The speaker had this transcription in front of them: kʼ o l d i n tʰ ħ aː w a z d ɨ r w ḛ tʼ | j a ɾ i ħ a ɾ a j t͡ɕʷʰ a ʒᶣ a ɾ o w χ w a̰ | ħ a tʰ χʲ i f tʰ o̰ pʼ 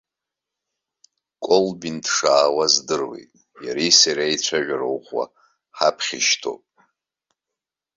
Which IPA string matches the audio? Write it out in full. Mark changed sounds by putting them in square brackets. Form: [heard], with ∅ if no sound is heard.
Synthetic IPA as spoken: kʼ o l [b] i n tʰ [ʂ] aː w a z d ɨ r w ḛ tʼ | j a ɾ i [s] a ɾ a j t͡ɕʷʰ a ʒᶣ a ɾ o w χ w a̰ | ħ a [pʰ] χʲ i [ʃ] tʰ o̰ pʼ